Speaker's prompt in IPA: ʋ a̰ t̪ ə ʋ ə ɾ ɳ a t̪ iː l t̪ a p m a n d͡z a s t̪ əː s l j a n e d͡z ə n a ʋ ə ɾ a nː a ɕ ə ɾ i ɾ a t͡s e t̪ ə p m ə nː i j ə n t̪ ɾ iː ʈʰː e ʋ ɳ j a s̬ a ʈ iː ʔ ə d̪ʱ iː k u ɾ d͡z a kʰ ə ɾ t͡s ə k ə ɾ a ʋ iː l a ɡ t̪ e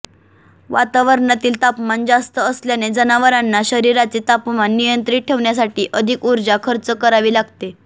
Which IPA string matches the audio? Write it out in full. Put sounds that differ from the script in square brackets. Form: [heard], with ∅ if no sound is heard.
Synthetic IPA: ʋ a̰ t̪ [a] ʋ ə ɾ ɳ a t̪ iː l t̪ a p m a n d͡z a s t̪ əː s l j a n e d͡z ə n a ʋ ə ɾ a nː a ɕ ə ɾ i ɾ a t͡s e t̪ [a] p m [a] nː i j ə n t̪ ɾ iː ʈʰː e ʋ ɳ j a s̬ a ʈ iː ʔ ə d̪ʱ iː k u ɾ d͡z a kʰ ə ɾ t͡s ə k ə ɾ a ʋ iː l a ɡ t̪ e